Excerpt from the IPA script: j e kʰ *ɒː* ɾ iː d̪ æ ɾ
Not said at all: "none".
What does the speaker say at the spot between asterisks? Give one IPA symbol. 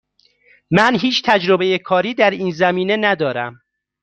ɒː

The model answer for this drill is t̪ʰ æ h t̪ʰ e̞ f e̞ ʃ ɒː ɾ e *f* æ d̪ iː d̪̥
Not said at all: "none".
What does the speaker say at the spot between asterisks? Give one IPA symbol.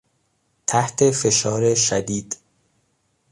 ʃ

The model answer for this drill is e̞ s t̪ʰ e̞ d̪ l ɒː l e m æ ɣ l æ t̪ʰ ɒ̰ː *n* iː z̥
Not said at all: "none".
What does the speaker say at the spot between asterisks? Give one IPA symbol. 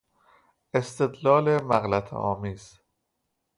m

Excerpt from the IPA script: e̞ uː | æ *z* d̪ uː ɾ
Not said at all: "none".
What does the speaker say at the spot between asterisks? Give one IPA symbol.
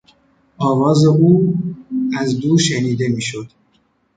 z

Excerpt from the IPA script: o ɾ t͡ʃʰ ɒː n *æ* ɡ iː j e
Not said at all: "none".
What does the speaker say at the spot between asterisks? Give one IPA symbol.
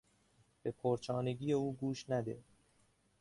e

